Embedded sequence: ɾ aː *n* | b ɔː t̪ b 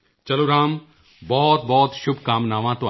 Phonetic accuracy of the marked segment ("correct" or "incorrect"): incorrect